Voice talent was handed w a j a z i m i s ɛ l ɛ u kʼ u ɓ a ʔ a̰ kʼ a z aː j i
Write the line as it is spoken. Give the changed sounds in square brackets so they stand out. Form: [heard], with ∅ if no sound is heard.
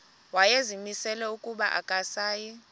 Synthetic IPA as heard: w a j [e] z i m i s ɛ l ɛ u kʼ u ɓ a ʔ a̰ kʼ a [s] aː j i